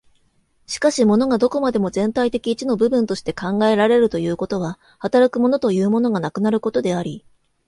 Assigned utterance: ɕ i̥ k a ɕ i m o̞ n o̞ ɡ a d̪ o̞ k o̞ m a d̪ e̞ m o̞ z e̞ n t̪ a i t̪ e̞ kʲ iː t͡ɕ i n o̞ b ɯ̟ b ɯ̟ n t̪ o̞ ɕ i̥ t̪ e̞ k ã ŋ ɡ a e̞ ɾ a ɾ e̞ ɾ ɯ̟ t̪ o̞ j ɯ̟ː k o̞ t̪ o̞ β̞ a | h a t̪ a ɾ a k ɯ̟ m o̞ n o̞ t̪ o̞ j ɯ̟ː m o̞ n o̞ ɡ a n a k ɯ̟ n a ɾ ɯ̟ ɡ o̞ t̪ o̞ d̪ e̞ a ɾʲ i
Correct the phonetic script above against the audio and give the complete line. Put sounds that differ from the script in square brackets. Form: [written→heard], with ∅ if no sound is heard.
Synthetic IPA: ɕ i̥ k a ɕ i m o̞ n o̞ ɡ a d̪ o̞ k o̞ m a d̪ e̞ m o̞ z [e̞→ẽ̞] n t̪ a i t̪ e̞ kʲ iː t͡ɕ i n o̞ b ɯ̟ b ɯ̟ n t̪ o̞ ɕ i̥ t̪ e̞ k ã ŋ ɡ a e̞ ɾ a ɾ e̞ ɾ ɯ̟ t̪ o̞ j ɯ̟ː k o̞ t̪ o̞ β̞ a | h a t̪ a ɾ a k ɯ̟ m o̞ n o̞ t̪ o̞ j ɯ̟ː m o̞ n o̞ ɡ a n a k ɯ̟ n a ɾ ɯ̟ [ɡ→k] o̞ t̪ o̞ d̪ e̞ a ɾʲ i